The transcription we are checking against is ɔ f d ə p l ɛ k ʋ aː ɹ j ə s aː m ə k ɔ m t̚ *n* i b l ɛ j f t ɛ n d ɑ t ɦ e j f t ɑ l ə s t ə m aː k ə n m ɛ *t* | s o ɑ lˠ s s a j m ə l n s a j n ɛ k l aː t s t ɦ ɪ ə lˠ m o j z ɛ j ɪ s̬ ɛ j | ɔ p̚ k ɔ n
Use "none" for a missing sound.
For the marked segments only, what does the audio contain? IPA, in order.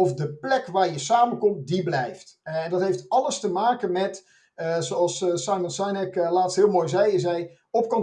d, t

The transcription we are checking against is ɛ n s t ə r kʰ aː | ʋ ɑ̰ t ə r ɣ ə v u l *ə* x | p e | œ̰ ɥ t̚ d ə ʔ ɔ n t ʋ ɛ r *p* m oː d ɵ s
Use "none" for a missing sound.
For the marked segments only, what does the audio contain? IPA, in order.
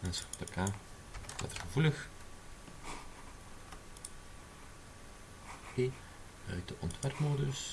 ə, p

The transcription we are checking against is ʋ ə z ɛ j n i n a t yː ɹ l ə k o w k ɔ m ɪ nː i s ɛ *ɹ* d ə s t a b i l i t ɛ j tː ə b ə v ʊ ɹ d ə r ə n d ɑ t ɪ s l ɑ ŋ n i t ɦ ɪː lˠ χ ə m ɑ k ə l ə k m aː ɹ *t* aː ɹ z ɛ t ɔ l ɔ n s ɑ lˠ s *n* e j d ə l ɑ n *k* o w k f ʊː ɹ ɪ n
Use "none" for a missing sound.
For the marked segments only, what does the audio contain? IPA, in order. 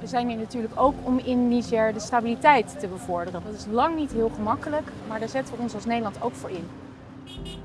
ɹ, d, n, t

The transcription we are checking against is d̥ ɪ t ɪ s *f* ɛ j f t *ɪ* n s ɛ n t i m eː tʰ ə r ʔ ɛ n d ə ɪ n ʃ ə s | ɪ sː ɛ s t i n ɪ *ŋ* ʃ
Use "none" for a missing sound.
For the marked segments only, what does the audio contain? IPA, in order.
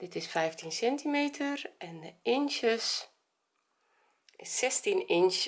f, i, n

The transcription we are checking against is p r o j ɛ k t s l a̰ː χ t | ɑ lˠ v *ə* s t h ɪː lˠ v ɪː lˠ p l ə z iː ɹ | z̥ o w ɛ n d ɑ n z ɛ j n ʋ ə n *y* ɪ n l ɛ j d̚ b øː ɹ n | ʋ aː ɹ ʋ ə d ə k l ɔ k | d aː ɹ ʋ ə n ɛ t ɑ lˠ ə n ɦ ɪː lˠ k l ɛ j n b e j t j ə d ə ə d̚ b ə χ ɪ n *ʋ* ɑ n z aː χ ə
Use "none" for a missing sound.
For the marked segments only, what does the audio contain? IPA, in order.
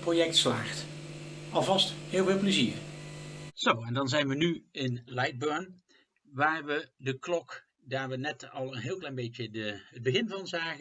ɑ, y, v

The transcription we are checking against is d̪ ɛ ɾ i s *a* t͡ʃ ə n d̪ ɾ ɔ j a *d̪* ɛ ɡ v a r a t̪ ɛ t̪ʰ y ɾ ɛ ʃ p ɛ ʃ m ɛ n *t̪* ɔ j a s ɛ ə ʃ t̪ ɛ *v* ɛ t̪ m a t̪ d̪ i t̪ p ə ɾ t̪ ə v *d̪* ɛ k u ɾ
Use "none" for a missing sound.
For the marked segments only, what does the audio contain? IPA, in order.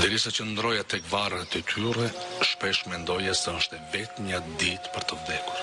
a, t̪, d̪, v, d̪

